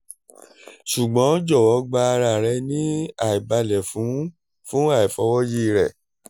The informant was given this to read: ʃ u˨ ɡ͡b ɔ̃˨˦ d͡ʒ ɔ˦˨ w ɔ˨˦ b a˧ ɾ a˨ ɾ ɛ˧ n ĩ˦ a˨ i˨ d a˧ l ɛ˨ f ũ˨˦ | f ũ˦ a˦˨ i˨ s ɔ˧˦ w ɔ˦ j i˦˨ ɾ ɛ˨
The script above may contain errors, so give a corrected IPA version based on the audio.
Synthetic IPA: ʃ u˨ ɡ͡b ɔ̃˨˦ d͡ʒ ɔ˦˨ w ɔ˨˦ ɡ͡b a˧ ɾ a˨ ɾ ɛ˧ n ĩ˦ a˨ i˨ b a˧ l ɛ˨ f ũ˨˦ | f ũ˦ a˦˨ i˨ f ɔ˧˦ w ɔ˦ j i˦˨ ɾ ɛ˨